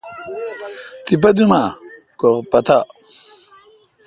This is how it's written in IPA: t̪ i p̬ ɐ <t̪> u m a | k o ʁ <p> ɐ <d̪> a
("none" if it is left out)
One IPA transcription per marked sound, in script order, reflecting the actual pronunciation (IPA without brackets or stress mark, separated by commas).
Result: d̪, p, t̪